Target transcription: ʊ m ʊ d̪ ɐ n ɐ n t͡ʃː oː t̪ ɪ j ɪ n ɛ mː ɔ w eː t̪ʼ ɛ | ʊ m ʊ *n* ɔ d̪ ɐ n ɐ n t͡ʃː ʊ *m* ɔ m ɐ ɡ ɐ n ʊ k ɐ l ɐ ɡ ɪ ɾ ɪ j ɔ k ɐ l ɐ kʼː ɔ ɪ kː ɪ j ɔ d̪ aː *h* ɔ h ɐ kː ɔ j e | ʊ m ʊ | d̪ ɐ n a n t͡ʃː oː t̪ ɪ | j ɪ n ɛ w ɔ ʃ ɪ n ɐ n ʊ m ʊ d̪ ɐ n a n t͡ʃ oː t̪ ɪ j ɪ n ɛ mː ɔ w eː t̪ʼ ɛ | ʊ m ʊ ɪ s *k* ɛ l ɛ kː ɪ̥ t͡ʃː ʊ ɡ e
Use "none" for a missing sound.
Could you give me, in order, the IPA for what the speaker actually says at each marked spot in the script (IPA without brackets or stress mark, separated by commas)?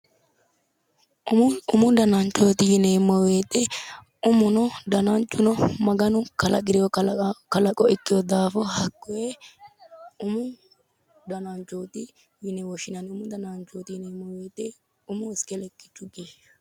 n, n, f, k